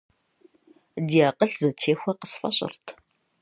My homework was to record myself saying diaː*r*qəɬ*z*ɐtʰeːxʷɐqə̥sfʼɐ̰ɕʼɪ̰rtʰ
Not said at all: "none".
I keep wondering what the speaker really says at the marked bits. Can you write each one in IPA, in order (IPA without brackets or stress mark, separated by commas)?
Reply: none, z